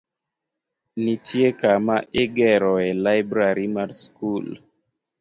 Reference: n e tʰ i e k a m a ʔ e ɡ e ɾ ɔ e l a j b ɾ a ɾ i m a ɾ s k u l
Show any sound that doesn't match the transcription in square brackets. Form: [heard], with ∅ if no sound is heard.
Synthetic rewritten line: n [i] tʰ i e k a m a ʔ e ɡ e ɾ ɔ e l a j b ɾ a ɾ i m a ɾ s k u l

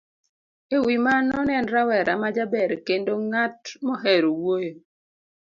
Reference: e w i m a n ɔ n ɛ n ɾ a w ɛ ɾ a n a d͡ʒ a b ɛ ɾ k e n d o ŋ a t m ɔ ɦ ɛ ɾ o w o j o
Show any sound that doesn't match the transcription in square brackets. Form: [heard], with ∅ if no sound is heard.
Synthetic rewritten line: e w i m a n ɔ n ɛ n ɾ a w ɛ ɾ a [m] a d͡ʒ a b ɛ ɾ k e n d o ŋ a t m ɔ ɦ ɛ ɾ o w o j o

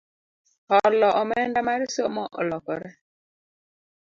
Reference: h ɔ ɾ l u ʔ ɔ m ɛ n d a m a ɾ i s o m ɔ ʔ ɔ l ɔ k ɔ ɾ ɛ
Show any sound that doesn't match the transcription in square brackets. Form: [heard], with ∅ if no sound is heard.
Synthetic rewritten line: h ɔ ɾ l [ɔ] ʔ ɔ m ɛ n d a m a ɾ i s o m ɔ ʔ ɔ l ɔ k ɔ ɾ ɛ

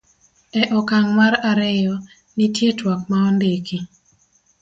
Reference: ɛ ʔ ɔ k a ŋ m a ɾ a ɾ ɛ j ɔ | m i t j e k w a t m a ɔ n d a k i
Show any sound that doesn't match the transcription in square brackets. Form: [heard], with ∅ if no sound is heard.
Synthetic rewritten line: ɛ ʔ ɔ k a ŋ m a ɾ a ɾ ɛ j ɔ | [n] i t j e [t] w a [k] m a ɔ n d [e] k i

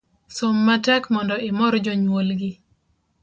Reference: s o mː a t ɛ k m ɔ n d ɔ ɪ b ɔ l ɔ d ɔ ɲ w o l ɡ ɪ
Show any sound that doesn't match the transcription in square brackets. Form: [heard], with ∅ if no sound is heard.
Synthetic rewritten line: s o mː a t ɛ k m ɔ n d ɔ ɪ [m] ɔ [ɾ] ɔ [d͡ʒ] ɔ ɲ w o l ɡ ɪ

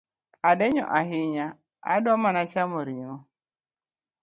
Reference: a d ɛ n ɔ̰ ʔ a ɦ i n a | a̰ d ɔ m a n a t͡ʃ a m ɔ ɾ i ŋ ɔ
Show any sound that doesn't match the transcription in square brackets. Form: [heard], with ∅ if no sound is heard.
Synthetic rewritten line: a d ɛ [ɲ] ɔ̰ ʔ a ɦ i [ɲ] a | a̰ d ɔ m a n a t͡ʃ a m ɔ ɾ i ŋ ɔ

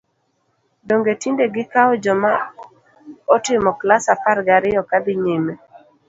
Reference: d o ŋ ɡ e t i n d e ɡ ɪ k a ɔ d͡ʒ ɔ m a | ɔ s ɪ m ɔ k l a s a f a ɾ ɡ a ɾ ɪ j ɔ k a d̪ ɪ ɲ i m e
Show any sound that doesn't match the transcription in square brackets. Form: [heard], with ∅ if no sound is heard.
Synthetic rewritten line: d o ŋ ɡ e t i n d e ɡ ɪ k a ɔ d͡ʒ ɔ m a | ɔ [t] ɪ m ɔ k l a s a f a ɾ ɡ a ɾ ɪ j ɔ k a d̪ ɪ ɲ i m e

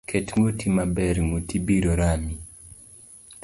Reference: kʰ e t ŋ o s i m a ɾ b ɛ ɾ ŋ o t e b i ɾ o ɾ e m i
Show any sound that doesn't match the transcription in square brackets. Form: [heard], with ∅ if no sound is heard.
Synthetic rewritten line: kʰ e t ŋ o [t] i m a [∅] b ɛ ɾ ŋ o t [i] b i ɾ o ɾ [a] m i

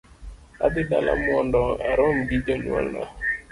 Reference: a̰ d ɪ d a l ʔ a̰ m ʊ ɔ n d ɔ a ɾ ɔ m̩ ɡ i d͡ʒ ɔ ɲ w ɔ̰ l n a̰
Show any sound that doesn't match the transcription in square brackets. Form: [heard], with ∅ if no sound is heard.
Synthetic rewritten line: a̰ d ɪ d a l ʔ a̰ m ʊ ɔ n d ɔ a ɾ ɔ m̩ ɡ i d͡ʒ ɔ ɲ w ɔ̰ l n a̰

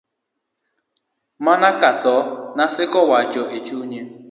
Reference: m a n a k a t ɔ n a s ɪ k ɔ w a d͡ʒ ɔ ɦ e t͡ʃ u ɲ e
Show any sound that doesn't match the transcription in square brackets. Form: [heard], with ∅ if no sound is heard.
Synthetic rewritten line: m a n a k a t ɔ n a s ɪ k ɔ w a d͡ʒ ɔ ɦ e t͡ʃ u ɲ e

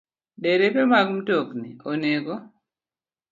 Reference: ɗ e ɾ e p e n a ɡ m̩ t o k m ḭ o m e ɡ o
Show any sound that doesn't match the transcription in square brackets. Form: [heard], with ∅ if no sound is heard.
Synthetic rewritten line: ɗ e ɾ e p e [m] a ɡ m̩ t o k [n] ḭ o [n] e ɡ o

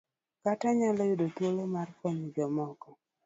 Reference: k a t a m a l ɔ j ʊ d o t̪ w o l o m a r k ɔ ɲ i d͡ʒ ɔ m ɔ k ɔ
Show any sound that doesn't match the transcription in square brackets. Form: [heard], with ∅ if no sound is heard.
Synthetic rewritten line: k a t a [ɲ] a l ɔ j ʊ d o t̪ w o l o m a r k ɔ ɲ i d͡ʒ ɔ m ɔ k ɔ

